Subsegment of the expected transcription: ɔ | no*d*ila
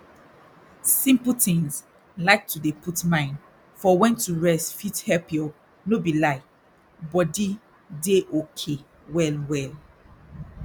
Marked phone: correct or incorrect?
incorrect